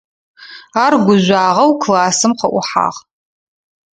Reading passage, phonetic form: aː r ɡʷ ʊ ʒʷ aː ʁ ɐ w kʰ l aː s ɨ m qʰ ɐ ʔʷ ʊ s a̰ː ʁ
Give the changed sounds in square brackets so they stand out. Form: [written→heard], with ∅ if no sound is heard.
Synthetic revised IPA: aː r ɡʷ ʊ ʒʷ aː ʁ ɐ w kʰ l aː s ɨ m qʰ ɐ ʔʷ ʊ [s→ħ] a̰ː ʁ